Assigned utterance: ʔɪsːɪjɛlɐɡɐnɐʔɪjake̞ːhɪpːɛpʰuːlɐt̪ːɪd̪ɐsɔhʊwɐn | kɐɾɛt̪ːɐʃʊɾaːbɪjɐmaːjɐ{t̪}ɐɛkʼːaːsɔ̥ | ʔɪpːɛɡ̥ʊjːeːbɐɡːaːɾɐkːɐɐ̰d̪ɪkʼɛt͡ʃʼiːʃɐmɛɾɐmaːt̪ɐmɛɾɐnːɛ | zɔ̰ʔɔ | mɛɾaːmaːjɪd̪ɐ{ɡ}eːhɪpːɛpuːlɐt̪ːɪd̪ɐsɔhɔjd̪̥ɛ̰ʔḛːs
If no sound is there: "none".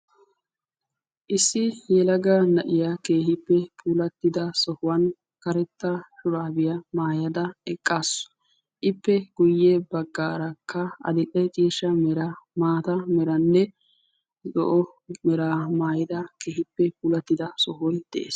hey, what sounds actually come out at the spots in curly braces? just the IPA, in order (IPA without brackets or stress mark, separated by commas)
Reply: d̪, k